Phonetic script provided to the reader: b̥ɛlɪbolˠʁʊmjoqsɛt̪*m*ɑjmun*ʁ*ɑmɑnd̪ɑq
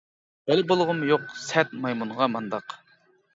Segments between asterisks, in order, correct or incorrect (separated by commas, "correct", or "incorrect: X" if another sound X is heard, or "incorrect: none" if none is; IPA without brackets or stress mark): correct, correct